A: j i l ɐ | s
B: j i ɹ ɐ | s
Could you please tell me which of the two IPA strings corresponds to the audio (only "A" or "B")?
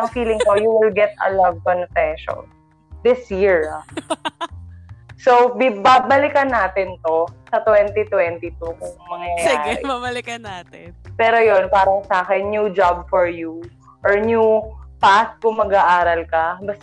B